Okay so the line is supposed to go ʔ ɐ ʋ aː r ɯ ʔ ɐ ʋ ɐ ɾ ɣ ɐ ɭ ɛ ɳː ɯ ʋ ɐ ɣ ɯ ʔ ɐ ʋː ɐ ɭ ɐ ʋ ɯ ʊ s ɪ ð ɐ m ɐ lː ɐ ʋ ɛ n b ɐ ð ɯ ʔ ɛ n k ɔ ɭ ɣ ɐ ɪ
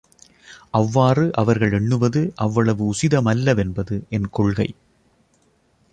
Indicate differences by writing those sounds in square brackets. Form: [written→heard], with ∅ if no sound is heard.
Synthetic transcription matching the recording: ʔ ɐ [ʋ→ʋː] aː r ɯ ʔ ɐ ʋ ɐ ɾ ɣ ɐ ɭ ɛ ɳː ɯ ʋ ɐ [ɣ→ð] ɯ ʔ ɐ ʋː ɐ ɭ ɐ ʋ ɯ ʊ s ɪ ð ɐ m ɐ lː ɐ ʋ ɛ n b ɐ ð ɯ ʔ ɛ n k ɔ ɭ ɣ ɐ ɪ